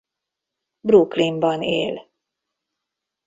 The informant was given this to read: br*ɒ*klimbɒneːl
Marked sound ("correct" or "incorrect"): incorrect